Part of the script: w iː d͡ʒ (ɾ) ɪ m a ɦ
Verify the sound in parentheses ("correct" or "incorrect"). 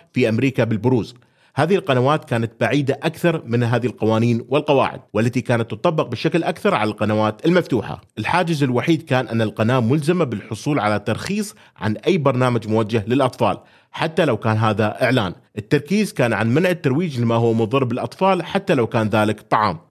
incorrect